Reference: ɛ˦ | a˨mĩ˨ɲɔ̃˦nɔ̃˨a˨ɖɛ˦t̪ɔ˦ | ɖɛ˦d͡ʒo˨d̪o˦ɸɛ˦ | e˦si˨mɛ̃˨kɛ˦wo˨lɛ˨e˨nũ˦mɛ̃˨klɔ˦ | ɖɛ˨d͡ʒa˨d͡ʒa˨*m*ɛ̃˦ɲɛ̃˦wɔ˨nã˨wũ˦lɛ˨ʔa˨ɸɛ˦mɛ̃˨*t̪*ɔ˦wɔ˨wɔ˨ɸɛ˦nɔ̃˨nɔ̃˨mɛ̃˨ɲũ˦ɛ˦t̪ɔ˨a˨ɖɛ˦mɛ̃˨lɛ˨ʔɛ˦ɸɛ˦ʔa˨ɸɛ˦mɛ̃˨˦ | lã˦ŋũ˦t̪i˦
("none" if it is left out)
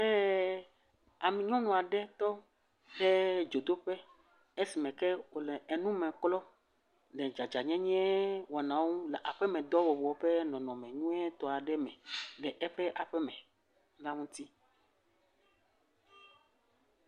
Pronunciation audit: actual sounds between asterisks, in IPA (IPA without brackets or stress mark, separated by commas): ɲ, d̪